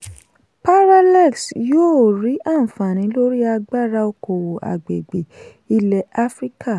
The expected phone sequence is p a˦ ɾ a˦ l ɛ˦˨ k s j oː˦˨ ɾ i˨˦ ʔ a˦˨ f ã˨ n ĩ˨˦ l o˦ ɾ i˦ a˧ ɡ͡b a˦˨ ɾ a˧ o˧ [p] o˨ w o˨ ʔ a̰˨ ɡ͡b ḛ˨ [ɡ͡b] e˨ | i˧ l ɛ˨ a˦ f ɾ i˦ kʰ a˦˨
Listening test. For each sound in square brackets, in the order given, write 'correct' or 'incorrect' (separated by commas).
incorrect, correct